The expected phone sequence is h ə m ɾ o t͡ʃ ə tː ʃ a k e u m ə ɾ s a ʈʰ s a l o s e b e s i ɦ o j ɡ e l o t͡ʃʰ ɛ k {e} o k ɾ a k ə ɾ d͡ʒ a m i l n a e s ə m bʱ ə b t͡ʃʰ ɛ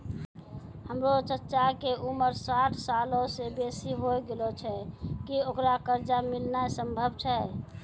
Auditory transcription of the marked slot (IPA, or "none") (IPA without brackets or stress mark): i